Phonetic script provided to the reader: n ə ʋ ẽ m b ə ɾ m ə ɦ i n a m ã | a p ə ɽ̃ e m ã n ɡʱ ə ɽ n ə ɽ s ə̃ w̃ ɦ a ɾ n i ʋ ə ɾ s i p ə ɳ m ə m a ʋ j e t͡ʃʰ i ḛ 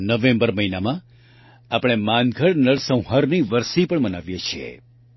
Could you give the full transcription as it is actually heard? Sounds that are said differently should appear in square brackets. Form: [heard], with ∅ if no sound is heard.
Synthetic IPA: n ə ʋ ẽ m b ə ɾ m ə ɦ i n a m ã | a p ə ɽ̃ e m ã n ɡʱ ə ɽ n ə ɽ s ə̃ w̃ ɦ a ɾ n i ʋ ə ɾ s i p ə ɳ m ə [n] a ʋ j e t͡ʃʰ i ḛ